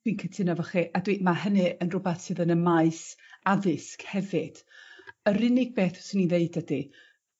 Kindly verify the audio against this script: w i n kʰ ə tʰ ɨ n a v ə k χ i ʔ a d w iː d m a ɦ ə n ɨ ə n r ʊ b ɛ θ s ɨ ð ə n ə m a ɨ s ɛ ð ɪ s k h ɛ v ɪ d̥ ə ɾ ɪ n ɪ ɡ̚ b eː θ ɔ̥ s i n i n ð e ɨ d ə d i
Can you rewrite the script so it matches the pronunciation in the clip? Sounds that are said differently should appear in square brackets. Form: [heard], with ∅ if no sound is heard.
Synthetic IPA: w i n kʰ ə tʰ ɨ n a v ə [∅] χ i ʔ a d w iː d m a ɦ ə n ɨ ə n r ʊ b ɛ θ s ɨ ð ə n ə m a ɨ s [a] ð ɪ s k h ɛ v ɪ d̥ ə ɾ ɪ n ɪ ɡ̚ b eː θ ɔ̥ s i n i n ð e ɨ d ə d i

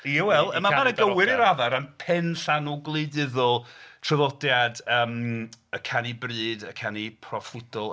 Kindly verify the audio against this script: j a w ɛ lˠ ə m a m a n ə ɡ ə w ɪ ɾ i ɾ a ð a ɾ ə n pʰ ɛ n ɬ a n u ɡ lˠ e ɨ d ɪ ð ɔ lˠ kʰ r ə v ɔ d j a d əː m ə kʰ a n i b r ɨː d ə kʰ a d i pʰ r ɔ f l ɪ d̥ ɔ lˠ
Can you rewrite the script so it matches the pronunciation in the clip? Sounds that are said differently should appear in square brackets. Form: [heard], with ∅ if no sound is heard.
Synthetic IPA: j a w ɛ lˠ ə m a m a n ə ɡ ə w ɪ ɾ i ɾ a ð a ɾ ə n pʰ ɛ n ɬ a n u ɡ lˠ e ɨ d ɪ ð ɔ lˠ [tʰ] r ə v ɔ d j a d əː m ə kʰ a n i b r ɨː d ə kʰ a [n] i pʰ r ɔ f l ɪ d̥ ɔ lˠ

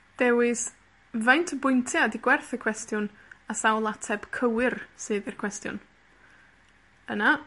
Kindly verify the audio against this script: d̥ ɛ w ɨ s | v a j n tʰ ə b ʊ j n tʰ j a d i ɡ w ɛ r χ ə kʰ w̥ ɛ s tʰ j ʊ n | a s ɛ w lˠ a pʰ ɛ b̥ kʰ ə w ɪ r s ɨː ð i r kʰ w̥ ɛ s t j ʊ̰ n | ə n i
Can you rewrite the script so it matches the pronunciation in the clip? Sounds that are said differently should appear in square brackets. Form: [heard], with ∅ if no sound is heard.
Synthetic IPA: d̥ ɛ w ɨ s | v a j n tʰ ə b ʊ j n tʰ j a d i ɡ w ɛ r [θ] ə kʰ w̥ ɛ s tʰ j ʊ n | a s [a] w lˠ a [tʰ] ɛ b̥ kʰ ə w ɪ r s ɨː ð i r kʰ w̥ ɛ s t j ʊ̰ n | ə n [a]

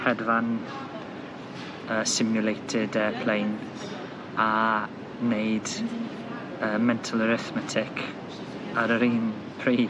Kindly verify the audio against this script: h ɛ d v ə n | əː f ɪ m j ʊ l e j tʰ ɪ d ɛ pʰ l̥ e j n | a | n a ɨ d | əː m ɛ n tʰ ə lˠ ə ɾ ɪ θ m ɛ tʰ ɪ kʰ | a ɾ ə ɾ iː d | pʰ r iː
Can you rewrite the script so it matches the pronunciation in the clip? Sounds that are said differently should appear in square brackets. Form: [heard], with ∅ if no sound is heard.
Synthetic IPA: h ɛ d v [a] n | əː [s] ɪ m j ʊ l e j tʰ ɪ d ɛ pʰ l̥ e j n | a | n [e] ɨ d | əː m ɛ n tʰ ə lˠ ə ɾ ɪ θ m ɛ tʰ ɪ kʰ | a ɾ ə ɾ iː [n] | pʰ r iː

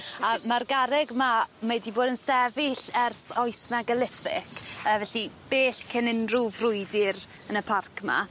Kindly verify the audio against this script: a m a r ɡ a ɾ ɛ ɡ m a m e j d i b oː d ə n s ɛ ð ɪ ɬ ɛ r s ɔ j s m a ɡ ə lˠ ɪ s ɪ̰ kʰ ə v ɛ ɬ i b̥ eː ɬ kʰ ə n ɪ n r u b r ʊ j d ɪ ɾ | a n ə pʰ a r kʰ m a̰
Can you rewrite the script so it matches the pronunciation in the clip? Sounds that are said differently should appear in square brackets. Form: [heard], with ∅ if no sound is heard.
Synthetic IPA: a m a r ɡ a ɾ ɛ ɡ m a m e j d i b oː d ə n s ɛ [v] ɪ ɬ ɛ r s ɔ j s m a ɡ ə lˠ ɪ [f] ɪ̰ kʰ ə v ɛ ɬ i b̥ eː ɬ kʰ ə n ɪ n r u [v] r ʊ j d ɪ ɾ | [ə] n ə pʰ a r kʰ m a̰

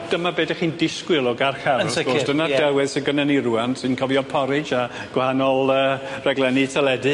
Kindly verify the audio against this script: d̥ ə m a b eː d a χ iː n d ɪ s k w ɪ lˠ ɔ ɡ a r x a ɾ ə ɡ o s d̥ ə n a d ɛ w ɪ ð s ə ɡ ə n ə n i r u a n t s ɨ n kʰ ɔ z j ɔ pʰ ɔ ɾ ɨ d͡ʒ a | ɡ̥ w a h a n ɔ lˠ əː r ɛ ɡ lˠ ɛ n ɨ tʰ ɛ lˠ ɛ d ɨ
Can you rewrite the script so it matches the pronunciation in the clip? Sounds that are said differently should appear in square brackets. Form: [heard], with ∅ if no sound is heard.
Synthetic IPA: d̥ ə m a b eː d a χ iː n d ɪ s k w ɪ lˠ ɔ ɡ a r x a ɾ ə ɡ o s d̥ ə n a d ɛ w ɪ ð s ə ɡ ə n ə n i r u a n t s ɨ n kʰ ɔ [v] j ɔ pʰ ɔ ɾ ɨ d͡ʒ a | ɡ̥ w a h a n ɔ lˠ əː r ɛ ɡ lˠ ɛ n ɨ tʰ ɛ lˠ ɛ d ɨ

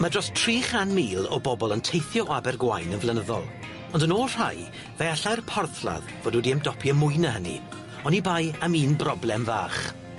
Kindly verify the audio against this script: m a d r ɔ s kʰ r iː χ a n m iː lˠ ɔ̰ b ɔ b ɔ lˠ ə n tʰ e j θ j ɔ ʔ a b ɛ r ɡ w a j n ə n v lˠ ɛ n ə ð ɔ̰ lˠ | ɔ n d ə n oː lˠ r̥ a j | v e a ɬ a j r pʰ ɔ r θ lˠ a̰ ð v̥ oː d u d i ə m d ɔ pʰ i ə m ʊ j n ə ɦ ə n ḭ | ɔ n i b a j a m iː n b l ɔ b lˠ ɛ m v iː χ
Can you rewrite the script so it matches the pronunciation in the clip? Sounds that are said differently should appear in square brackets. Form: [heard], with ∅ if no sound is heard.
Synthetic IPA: m a d r ɔ s [tʰ] r iː χ a n m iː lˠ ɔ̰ b ɔ b ɔ lˠ ə n tʰ e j θ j ɔ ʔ a b ɛ r ɡ w a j n ə n v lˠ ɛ n ə ð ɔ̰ lˠ | ɔ n d ə n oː lˠ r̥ a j | v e a ɬ a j r pʰ ɔ r θ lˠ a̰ ð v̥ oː d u d i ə m d ɔ pʰ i ə m ʊ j n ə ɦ ə n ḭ | ɔ n i b a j a m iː n b [r] ɔ b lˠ ɛ m v [aː] χ

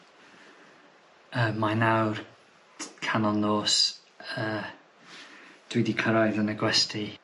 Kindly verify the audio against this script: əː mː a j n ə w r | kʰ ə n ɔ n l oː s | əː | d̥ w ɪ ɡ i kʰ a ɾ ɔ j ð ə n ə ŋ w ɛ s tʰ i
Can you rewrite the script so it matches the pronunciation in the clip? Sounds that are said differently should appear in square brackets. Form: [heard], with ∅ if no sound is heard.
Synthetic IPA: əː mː a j n [a] w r | kʰ [a] n ɔ n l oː s | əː | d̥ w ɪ [d] i kʰ [ə] ɾ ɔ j ð ə n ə [ɡ] w ɛ s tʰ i

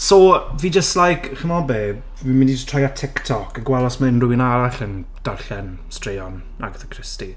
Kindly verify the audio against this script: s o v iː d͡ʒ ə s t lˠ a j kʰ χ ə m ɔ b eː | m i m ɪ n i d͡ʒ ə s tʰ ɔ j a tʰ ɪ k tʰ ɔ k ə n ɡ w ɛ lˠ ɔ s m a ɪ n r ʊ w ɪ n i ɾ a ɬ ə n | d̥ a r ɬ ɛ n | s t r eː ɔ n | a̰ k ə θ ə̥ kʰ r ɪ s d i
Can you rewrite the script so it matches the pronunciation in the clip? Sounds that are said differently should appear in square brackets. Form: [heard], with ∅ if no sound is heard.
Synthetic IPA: s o v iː d͡ʒ ə s t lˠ a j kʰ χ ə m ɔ b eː | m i m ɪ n i d͡ʒ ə s tʰ ɔ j a tʰ ɪ k tʰ ɔ k ə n ɡ w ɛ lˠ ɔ s m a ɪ n r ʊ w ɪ n [a] ɾ a ɬ ə n | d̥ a r ɬ ɛ n | s t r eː ɔ n | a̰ [ɡ] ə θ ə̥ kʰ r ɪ s [t] i

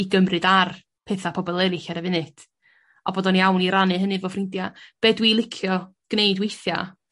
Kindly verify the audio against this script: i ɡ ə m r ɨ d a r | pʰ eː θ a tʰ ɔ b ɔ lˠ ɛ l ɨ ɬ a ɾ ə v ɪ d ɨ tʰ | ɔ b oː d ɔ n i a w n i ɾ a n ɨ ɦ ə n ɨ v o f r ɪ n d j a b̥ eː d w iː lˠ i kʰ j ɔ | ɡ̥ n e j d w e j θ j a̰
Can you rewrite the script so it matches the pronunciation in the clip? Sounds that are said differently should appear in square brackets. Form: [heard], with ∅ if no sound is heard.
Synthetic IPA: i ɡ ə m r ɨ d a r | pʰ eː θ a [pʰ] ɔ b ɔ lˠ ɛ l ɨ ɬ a ɾ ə v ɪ [n] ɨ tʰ | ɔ b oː d ɔ n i a w n i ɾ a n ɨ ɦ ə n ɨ v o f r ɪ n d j a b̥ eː d w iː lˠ [ɪ] kʰ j ɔ | ɡ̥ n e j d w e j θ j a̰

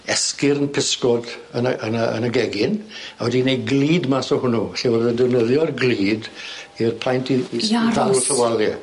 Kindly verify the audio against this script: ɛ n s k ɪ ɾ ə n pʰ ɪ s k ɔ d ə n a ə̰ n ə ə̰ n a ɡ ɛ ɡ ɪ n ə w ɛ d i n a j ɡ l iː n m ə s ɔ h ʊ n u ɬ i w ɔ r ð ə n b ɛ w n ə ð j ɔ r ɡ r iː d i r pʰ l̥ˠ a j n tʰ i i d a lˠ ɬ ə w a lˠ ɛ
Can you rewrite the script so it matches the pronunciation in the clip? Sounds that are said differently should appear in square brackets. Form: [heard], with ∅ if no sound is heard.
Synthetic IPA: ɛ [∅] s k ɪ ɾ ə n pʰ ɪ s k ɔ d ə n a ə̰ n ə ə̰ n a ɡ ɛ ɡ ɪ n [a] w ɛ d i n [e] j ɡ l iː [d] m [a] s ɔ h ʊ n u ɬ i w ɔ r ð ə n [d] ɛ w n ə ð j ɔ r ɡ [l] iː d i r pʰ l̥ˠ a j n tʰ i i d a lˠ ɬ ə w a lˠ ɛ

